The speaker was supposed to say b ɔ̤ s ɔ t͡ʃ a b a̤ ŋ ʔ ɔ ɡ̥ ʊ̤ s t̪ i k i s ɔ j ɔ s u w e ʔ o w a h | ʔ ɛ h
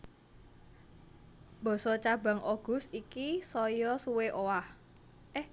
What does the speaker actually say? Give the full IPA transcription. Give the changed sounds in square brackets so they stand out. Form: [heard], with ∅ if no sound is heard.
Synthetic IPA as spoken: b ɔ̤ s ɔ t͡ʃ a b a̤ ŋ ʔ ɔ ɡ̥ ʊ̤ s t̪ i k i s ɔ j ɔ s u w e ʔ o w a h | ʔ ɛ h